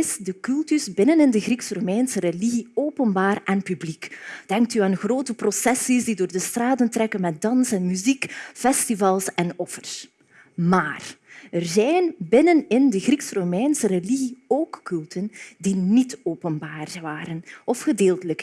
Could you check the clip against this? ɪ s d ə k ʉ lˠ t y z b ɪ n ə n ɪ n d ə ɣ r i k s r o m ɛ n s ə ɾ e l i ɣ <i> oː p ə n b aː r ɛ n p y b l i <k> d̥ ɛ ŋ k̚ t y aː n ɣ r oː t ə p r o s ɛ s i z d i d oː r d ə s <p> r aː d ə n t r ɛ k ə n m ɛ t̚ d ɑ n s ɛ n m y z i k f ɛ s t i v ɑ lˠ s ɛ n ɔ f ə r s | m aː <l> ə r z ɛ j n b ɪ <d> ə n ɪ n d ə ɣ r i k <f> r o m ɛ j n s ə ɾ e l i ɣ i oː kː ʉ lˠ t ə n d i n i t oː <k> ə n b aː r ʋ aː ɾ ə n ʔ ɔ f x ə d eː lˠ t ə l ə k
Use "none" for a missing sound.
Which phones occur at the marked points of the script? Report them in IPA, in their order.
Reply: i, k, t, r, n, s, p

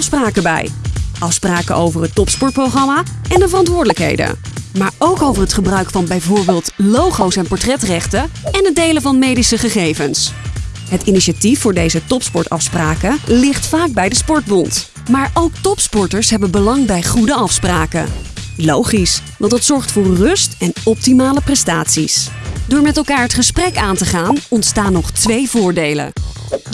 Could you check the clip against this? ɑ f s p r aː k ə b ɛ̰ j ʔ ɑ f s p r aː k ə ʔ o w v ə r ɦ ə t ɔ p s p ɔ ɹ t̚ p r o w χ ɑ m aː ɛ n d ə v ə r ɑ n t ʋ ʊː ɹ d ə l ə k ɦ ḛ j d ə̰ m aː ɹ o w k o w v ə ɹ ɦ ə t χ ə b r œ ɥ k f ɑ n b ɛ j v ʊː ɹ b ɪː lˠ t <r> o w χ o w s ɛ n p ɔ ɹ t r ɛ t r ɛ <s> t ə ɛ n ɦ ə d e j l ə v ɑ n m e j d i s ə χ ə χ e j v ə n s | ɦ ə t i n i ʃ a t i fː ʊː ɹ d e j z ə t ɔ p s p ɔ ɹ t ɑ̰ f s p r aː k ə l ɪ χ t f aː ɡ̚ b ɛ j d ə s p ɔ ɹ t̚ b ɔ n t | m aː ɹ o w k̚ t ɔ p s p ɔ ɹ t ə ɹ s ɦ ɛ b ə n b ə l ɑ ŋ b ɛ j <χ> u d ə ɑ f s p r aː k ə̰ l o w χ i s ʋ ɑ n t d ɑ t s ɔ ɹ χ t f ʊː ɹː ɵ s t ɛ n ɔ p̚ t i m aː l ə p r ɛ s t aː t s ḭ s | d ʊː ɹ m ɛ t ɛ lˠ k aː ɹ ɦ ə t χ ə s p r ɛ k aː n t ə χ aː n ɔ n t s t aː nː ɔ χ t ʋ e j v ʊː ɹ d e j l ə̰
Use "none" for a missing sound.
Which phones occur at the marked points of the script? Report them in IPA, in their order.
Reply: l, χ, χ

